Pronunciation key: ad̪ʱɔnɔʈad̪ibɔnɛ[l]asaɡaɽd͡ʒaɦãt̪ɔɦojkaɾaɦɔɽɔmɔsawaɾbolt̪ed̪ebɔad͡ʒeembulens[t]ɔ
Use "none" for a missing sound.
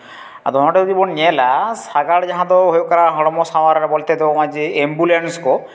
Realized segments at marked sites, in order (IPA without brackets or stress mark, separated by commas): l, k